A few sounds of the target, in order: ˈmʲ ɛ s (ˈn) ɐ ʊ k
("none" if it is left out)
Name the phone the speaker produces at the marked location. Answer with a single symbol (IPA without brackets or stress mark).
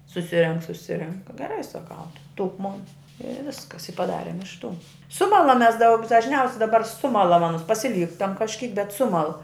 d